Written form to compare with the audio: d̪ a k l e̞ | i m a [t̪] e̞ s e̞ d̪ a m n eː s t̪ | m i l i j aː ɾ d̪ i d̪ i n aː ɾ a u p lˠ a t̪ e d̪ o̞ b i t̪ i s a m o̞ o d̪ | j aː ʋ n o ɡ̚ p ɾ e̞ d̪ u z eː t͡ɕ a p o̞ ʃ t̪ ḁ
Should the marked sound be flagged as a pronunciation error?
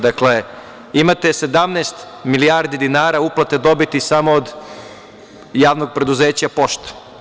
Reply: no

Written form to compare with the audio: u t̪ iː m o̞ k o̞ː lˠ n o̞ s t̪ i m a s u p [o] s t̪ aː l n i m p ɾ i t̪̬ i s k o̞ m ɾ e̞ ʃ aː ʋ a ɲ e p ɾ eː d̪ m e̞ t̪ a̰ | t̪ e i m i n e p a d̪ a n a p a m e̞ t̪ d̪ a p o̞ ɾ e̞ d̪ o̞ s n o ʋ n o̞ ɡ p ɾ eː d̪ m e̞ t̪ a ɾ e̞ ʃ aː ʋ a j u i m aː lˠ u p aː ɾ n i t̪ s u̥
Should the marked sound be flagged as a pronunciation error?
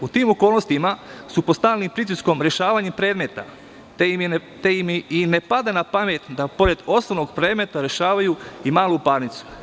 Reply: no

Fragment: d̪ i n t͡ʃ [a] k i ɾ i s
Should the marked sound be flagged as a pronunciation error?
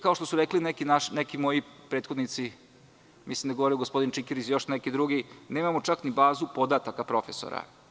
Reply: yes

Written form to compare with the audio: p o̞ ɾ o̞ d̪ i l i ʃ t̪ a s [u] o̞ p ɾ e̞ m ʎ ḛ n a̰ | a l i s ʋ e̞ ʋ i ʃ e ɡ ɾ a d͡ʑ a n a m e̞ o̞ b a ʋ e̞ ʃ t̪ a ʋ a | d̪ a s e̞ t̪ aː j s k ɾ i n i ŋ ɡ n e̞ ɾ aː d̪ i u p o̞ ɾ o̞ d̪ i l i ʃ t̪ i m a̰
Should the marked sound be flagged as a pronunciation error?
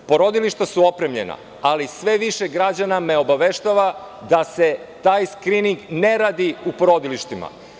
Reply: no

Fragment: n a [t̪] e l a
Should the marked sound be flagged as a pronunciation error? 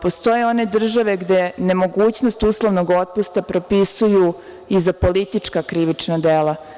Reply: yes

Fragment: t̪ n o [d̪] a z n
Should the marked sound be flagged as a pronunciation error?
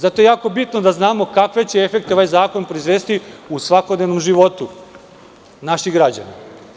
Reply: no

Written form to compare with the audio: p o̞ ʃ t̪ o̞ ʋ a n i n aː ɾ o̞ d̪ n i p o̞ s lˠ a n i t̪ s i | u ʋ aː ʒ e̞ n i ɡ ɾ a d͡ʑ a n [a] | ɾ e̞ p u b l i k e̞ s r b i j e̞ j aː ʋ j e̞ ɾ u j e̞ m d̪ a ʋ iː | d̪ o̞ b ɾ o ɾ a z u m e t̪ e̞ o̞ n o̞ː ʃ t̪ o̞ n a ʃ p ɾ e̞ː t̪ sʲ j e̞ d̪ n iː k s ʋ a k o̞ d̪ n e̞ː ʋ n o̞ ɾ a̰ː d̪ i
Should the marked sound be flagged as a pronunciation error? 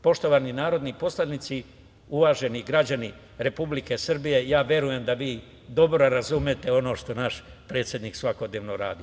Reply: yes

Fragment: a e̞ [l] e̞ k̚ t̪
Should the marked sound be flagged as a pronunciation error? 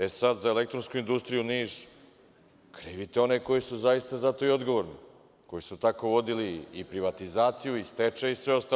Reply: no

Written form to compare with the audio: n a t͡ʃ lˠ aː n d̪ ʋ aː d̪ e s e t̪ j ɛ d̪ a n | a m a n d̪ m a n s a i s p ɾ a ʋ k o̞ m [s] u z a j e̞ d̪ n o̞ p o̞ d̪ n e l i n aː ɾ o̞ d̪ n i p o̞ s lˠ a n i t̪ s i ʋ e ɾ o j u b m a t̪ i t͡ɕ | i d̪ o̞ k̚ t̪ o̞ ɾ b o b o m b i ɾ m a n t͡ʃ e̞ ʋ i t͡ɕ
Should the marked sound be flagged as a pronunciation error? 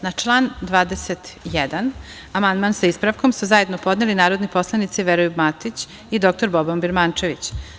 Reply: no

